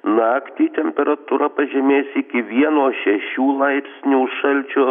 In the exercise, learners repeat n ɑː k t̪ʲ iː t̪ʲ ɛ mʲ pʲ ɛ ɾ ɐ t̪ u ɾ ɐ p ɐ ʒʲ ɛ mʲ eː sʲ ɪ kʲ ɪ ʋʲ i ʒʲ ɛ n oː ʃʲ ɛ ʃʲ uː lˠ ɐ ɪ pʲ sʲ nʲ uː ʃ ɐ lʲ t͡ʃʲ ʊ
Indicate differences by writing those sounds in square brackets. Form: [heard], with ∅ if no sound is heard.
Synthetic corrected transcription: n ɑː k t̪ʲ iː t̪ʲ ɛ mʲ pʲ ɛ ɾ ɐ t̪ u ɾ ɐ p ɐ ʒʲ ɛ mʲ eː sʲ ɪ kʲ ɪ ʋʲ i [∅] ɛ n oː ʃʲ ɛ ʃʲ uː lˠ ɐ ɪ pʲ sʲ nʲ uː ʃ ɐ lʲ t͡ʃʲ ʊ